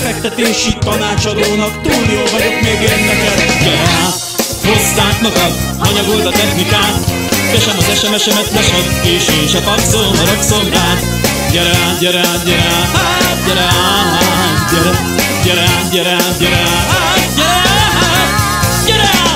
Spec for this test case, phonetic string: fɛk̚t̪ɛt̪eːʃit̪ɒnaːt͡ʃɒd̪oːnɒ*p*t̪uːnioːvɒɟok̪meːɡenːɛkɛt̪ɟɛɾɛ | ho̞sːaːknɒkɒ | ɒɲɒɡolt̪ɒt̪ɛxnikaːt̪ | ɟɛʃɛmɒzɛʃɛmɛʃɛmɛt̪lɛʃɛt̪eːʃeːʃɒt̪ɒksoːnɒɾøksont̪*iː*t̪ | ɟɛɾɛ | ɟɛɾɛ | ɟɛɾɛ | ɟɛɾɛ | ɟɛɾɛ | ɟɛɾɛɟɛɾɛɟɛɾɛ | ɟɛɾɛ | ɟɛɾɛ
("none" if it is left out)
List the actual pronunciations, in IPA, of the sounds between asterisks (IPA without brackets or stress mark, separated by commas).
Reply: k, aː